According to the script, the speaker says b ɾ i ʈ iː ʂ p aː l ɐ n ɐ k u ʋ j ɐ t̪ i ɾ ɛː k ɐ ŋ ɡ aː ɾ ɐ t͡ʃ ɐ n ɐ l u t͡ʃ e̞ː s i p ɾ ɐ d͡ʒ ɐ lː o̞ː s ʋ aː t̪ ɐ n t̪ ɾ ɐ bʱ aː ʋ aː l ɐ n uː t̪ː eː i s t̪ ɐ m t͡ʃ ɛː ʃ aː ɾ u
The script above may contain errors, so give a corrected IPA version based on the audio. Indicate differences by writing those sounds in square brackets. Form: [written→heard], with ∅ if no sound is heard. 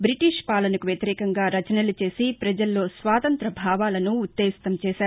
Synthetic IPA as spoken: b ɾ i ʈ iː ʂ p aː l ɐ n ɐ k u ʋ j ɐ t̪ i ɾ ɛː k ɐ ŋ ɡ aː ɾ ɐ t͡ʃ ɐ n ɐ l u t͡ʃ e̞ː s i p ɾ ɐ d͡ʒ ɐ lː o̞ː s ʋ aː t̪ ɐ n t̪ ɾ ɐ bʱ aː ʋ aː l ɐ n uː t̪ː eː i s t̪ ɐ m t͡ʃ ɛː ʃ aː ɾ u